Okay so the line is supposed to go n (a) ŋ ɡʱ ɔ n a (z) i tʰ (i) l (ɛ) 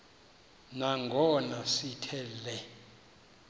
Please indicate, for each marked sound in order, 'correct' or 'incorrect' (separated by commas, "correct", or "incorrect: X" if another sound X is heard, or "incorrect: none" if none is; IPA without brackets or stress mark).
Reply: correct, incorrect: s, incorrect: ɛ, correct